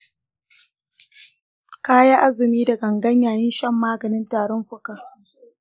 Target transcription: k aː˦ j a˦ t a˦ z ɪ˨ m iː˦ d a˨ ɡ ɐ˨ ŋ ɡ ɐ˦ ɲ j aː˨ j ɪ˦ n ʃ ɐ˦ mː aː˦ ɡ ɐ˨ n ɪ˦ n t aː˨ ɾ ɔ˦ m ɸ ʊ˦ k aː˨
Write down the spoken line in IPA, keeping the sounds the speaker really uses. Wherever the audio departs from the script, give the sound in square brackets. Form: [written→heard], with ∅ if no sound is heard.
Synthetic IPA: k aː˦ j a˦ [t→ʔ] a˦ z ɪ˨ m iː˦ d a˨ ɡ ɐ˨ ŋ ɡ ɐ˦ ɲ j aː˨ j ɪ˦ n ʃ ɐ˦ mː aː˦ ɡ ɐ˨ n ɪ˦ n t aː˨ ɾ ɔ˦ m ɸ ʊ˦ k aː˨